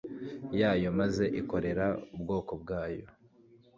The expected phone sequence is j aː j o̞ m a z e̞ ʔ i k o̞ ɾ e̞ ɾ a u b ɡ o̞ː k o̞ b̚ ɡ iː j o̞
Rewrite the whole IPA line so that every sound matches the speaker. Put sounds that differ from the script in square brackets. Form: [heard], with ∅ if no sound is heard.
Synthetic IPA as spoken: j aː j o̞ m a z e̞ ʔ i k o̞ ɾ e̞ ɾ a u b ɡ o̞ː k o̞ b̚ ɡ [aː] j o̞